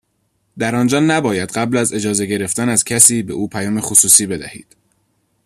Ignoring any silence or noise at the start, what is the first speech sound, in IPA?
d̪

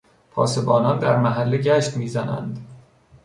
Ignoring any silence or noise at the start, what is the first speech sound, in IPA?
pʰ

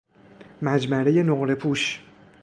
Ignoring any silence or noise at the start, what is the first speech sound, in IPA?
m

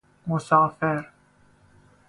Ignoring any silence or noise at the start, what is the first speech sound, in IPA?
m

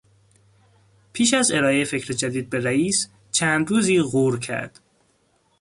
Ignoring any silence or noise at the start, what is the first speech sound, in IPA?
pʰ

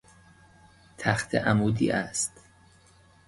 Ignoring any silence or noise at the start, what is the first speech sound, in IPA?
t̪ʰ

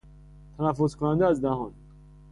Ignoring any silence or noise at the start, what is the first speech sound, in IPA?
t̪ʰ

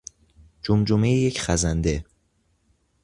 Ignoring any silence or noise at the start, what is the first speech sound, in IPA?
d͡ʒ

